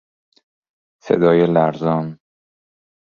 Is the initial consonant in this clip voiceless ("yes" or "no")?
yes